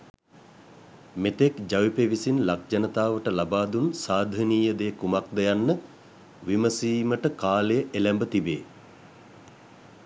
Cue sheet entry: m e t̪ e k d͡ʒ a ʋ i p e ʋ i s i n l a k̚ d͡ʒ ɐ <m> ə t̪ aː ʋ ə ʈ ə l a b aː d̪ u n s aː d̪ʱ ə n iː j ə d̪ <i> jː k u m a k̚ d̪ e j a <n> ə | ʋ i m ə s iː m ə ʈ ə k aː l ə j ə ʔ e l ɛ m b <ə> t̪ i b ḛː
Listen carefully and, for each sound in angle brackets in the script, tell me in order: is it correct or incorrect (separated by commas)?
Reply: incorrect, incorrect, incorrect, correct